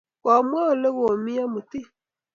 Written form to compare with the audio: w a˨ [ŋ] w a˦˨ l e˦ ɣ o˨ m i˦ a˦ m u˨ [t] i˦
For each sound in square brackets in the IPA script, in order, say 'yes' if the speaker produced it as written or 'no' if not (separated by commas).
no, yes